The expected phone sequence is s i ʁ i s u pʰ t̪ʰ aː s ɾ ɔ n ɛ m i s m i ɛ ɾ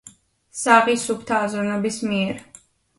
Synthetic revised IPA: s a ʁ i s u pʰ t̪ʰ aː z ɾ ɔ n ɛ b i s m i ɛ ɾ

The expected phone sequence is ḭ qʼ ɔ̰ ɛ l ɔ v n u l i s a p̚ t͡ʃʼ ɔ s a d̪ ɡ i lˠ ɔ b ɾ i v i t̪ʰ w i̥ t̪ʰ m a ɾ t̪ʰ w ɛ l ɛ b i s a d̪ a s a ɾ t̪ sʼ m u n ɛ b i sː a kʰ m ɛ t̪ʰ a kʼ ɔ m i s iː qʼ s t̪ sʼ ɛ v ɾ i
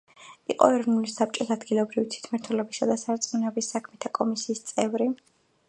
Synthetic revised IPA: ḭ qʼ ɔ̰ ɛ ɾ ɔ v n u l i s a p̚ t͡ʃʼ ɔ s a d̪ ɡ i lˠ ɔ b ɾ i v i t̪ʰ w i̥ t̪ʰ m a ɾ t̪ʰ w ɛ l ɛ b i s a d̪ a s a ɾ t̪ sʼ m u n ɛ b i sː a kʰ m ɛ t̪ʰ a kʼ ɔ m i s iː s t̪ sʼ ɛ v ɾ i

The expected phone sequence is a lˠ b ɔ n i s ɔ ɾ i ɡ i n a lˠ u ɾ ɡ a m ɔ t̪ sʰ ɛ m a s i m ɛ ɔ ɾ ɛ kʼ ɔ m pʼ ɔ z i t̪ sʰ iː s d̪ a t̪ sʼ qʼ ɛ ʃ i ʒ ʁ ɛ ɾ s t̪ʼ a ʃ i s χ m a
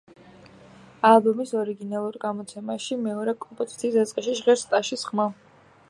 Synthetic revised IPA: a lˠ b ɔ m i s ɔ ɾ i ɡ i n a lˠ u ɾ ɡ a m ɔ t̪ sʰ ɛ m a ʃ i m ɛ ɔ ɾ ɛ kʼ ɔ m pʼ ɔ z i t̪ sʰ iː s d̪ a t̪ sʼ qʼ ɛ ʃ i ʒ ʁ ɛ ɾ s t̪ʼ a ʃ i s χ m a

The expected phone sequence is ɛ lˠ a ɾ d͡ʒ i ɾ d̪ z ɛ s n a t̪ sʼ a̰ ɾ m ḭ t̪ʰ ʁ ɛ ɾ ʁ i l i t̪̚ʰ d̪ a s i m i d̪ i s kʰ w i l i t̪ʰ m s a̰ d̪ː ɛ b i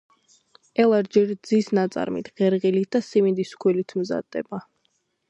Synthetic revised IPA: ɛ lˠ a ɾ d͡ʒ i ɾ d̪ z i s n a t̪ sʼ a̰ ɾ m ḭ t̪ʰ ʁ ɛ ɾ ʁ i l i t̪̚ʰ d̪ a s i m i d̪ i s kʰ w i l i t̪ʰ m z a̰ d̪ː ɛ b a

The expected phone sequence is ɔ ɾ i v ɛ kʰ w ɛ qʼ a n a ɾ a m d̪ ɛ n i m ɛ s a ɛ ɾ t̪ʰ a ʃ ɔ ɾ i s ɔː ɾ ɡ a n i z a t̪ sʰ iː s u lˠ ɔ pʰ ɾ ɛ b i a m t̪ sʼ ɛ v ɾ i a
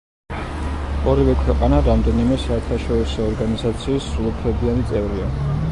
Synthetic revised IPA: ɔ ɾ i v ɛ kʰ w ɛ qʼ a n a ɾ a m d̪ ɛ n i m ɛ s a ɛ ɾ t̪ʰ a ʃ ɔ ɾ i s ɔː ɾ ɡ a n i z a t̪ sʰ iː s u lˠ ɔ pʰ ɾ ɛ b i a n t̪ sʼ ɛ v ɾ i a

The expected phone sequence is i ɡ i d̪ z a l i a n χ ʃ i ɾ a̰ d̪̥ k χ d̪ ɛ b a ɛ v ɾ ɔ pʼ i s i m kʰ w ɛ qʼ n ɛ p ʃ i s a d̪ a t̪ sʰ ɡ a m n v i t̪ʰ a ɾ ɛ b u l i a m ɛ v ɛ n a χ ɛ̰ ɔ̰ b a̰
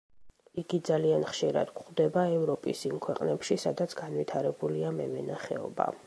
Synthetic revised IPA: i ɡ i d̪ z a l i a n χ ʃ i ɾ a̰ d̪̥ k χ d̪ ɛ b a ɛ v ɾ ɔ pʼ i s i m kʰ w ɛ qʼ n ɛ p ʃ i s a d̪ a t̪ sʰ ɡ a n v i t̪ʰ a ɾ ɛ b u l i a m ɛ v ɛ n a χ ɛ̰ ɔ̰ b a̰

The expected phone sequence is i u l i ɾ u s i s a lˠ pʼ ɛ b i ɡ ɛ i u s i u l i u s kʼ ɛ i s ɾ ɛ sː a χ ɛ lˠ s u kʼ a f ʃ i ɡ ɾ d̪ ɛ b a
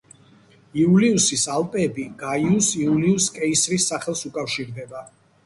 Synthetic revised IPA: i u l i u s i s a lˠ pʼ ɛ b i ɡ a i u s i u l i u s kʼ ɛ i s ɾ i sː a χ ɛ lˠ s u kʼ a f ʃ i ɾ d̪ ɛ b a

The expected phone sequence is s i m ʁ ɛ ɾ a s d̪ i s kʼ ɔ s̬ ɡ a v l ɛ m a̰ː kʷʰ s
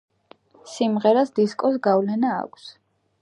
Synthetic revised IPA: s i m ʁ ɛ ɾ a s d̪ i s kʼ ɔ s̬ ɡ a v l ɛ n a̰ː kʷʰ s

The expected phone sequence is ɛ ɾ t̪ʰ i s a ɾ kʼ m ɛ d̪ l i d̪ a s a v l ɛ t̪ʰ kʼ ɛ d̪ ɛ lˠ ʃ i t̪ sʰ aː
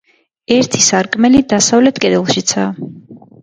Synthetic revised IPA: ɛ ɾ t̪ʰ i s a ɾ kʼ m ɛ l i d̪ a s a v l ɛ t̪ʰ kʼ ɛ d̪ ɛ lˠ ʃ i t̪ sʰ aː

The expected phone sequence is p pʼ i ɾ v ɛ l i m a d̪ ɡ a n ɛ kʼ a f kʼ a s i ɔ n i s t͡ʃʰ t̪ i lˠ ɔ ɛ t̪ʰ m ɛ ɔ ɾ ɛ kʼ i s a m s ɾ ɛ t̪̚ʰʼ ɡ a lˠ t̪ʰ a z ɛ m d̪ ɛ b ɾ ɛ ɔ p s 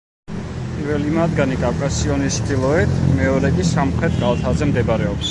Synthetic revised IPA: p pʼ i ɾ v ɛ l i m a d̪ ɡ a n i kʼ a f kʼ a s i ɔ n i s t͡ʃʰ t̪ i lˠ ɔ ɛ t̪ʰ m ɛ ɔ ɾ ɛ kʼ i s a m χ ɾ ɛ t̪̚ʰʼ ɡ a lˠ t̪ʰ a z ɛ m d̪ ɛ b ɾ ɛ ɔ p s

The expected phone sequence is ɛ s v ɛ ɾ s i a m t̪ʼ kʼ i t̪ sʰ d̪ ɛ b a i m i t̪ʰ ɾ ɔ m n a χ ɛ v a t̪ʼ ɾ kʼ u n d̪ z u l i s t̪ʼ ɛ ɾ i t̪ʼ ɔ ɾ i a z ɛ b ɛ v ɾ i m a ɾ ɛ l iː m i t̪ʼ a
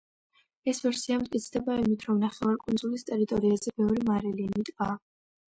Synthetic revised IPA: ɛ s v ɛ ɾ s i a m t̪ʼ kʼ i t̪ sʰ d̪ ɛ b a i m i t̪ʰ ɾ ɔ m n a χ ɛ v a ɾ kʼ u n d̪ z u l i s t̪ʼ ɛ ɾ i t̪ʼ ɔ ɾ i a z ɛ b ɛ v ɾ i m a ɾ ɛ l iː m i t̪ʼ a

